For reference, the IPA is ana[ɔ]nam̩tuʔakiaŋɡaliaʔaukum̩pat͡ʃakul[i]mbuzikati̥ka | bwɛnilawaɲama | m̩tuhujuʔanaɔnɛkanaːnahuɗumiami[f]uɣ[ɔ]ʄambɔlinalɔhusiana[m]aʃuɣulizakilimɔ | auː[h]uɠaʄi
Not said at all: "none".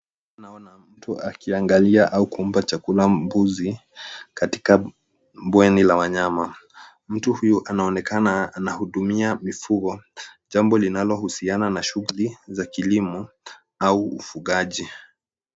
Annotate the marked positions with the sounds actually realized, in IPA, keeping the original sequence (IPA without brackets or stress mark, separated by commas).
ɔ, a, f, ɔ, n, f